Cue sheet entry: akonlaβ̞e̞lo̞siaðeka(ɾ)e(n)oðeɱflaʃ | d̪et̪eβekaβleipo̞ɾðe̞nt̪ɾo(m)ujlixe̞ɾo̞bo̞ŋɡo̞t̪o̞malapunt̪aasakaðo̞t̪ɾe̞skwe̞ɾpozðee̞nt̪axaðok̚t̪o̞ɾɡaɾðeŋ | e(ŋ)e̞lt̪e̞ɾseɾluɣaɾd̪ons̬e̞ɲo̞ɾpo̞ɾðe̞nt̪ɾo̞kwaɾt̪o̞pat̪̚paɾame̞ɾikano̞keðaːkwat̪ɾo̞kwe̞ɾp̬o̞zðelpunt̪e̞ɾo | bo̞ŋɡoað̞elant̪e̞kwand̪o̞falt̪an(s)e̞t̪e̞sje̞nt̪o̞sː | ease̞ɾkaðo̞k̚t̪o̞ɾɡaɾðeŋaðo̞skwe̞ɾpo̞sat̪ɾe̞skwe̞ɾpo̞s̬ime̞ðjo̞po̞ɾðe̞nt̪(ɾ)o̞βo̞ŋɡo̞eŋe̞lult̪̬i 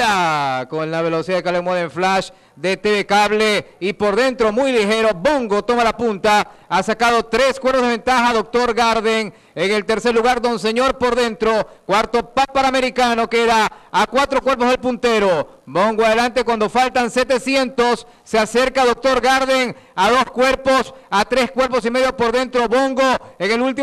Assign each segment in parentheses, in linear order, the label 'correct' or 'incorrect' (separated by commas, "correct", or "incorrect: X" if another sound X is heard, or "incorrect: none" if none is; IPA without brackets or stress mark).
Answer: incorrect: l, incorrect: m, correct, correct, correct, correct